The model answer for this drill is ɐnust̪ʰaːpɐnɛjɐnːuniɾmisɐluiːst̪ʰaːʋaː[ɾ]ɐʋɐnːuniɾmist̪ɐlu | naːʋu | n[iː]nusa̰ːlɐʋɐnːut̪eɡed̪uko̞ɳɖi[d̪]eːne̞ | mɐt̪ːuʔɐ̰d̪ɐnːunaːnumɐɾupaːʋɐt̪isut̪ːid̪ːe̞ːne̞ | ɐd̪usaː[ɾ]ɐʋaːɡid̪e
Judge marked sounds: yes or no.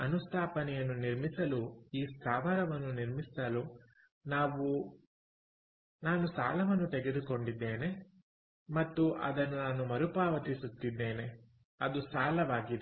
yes, no, no, no

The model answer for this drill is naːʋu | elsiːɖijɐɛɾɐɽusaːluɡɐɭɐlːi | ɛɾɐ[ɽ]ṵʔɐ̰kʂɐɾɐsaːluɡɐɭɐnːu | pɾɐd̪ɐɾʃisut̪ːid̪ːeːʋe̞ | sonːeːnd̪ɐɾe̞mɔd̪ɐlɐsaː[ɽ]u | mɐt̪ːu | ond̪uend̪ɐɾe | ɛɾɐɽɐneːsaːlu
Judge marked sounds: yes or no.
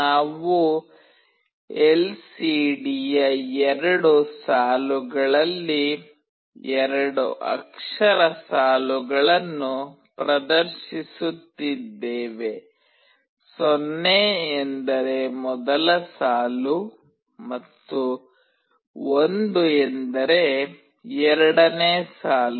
yes, no

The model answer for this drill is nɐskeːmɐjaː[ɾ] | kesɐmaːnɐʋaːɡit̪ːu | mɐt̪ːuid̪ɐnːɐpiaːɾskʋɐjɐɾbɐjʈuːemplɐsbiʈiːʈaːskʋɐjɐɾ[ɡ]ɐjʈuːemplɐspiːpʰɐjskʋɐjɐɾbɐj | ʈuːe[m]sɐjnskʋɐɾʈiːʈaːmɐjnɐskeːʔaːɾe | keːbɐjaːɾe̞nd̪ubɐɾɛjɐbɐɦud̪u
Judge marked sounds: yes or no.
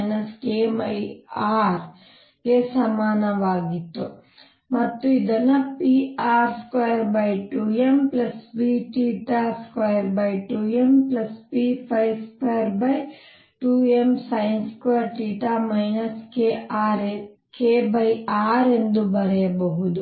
yes, no, yes

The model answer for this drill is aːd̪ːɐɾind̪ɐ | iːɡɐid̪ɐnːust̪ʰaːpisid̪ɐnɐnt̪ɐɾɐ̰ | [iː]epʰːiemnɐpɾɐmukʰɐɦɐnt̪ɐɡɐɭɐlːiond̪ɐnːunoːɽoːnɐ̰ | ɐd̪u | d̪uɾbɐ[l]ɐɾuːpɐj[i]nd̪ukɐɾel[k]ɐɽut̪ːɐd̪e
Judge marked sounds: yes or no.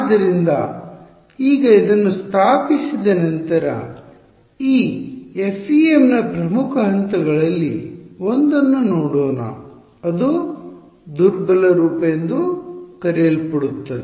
yes, yes, no, no

